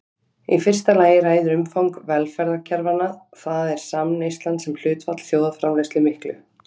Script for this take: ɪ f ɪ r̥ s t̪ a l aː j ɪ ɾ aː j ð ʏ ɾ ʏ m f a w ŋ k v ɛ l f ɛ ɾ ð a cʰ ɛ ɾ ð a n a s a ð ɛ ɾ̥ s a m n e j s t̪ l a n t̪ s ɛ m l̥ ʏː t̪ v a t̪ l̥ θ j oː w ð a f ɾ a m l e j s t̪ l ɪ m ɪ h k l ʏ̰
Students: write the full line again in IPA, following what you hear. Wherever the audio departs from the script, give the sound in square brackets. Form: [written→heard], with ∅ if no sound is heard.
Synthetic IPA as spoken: [ɪ→i] f ɪ r̥ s t̪ a l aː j ɪ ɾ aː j ð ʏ ɾ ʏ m f a w ŋ k v ɛ l f ɛ ɾ ð a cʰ ɛ ɾ [ð→v] a n a [s→θ] a ð ɛ ɾ̥ s a m n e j s t̪ l a n t̪ s ɛ m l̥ ʏː t̪ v a t̪ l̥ θ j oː w ð a f ɾ a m l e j s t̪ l ɪ m ɪ h k l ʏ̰